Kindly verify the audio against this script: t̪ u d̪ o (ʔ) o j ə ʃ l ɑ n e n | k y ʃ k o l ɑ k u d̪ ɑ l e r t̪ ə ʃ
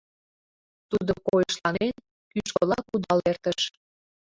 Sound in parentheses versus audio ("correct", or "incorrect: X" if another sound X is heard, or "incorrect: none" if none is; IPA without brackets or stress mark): incorrect: k